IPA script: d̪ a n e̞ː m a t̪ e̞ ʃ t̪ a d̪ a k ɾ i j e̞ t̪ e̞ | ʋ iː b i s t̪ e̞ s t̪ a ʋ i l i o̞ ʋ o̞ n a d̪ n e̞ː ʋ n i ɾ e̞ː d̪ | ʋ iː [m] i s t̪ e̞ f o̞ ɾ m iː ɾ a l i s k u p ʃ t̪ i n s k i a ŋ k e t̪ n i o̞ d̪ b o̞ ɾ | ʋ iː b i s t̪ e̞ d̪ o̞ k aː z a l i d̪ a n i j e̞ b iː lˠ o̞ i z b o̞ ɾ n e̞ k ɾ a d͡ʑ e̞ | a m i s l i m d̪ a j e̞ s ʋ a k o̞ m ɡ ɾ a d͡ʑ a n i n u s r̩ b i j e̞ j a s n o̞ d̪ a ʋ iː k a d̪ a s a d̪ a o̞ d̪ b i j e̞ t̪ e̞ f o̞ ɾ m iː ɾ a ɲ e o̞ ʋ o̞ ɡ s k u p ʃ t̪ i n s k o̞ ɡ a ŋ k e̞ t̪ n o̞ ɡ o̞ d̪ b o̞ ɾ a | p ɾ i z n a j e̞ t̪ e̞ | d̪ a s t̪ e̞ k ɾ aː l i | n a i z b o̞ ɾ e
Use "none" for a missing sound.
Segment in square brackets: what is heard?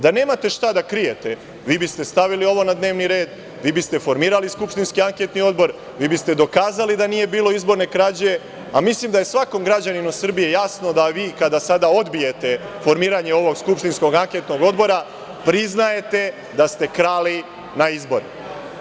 b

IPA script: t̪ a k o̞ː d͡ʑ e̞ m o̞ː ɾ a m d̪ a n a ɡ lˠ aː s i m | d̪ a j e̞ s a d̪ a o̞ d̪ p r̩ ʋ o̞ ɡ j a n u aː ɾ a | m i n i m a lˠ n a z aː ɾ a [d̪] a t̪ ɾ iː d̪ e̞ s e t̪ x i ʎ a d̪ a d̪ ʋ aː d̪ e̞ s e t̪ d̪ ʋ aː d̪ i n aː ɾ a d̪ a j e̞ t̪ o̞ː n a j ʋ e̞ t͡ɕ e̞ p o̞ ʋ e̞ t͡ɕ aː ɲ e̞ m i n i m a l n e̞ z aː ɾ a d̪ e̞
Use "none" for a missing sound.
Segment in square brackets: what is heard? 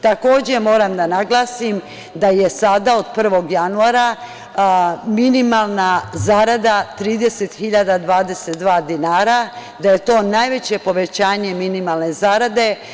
d̪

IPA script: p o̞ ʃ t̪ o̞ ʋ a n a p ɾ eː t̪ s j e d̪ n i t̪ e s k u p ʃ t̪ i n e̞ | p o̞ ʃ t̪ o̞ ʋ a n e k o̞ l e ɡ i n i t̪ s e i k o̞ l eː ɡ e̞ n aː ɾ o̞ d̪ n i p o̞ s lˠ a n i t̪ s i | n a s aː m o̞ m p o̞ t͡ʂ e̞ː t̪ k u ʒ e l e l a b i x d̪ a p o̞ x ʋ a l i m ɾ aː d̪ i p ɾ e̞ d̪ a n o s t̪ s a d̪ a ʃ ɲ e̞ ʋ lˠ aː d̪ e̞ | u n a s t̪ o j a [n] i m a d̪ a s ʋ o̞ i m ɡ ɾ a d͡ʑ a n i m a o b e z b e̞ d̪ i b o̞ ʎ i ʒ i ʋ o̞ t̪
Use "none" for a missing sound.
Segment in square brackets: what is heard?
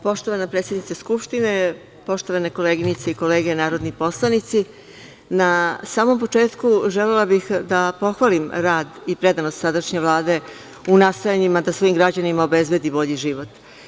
ɲ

